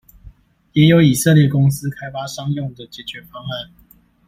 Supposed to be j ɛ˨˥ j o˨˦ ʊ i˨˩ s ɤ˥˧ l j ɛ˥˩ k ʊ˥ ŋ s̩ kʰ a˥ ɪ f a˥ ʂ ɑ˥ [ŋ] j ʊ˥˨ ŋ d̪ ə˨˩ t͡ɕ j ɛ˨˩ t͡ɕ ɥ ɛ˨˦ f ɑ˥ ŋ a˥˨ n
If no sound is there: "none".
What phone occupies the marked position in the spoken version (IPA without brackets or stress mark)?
ŋ